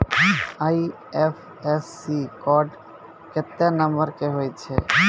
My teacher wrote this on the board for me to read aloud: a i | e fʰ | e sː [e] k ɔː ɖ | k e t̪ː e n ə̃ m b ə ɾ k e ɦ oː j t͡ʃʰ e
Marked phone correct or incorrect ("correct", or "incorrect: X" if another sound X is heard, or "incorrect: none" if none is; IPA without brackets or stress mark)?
incorrect: i